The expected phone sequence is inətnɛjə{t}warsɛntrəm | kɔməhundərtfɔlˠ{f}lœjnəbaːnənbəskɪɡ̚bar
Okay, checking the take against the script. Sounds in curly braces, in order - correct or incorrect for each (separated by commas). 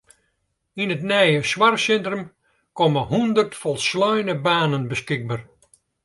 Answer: incorrect, incorrect